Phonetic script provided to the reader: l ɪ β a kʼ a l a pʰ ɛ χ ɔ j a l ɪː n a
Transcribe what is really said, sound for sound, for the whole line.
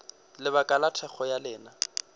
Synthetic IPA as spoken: l ɪ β a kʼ a l a tʰ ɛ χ ɔ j a l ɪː n a